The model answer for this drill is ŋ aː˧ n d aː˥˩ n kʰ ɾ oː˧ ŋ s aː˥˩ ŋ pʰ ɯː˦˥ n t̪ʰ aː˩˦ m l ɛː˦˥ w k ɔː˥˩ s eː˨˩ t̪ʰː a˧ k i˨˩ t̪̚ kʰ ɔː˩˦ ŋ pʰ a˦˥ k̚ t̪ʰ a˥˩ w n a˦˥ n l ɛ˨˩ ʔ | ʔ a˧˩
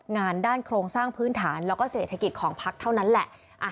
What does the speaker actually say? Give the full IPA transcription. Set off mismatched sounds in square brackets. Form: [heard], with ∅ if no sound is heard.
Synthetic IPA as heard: ŋ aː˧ n d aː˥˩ n kʰ ɾ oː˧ ŋ s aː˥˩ ŋ pʰ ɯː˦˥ n t̪ʰ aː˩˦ [n] l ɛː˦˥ w k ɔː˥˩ s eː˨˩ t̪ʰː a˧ k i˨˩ t̪̚ kʰ ɔː˩˦ ŋ pʰ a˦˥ k̚ t̪ʰ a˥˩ w n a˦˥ n l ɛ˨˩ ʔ | ʔ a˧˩